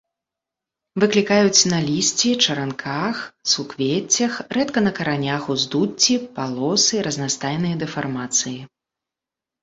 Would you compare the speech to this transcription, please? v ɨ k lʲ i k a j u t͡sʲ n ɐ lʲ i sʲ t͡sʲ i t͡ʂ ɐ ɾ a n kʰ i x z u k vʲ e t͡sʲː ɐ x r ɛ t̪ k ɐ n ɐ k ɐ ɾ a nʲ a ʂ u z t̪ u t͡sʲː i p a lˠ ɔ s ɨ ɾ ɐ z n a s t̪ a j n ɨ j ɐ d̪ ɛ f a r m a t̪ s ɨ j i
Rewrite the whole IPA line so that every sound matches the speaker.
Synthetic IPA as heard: v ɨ k lʲ i k a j u t͡sʲ n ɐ lʲ i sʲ t͡sʲ i t͡ʂ ɐ ɾ a n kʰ a x s u k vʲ e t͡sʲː ɐ x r ɛ t̪ k ɐ n ɐ k ɐ ɾ a nʲ a x u z d̪ u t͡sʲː i p a lˠ ɔ s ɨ ɾ ɐ z n a s t̪ a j n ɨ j ɐ d̪ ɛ f a r m a t̪ s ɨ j i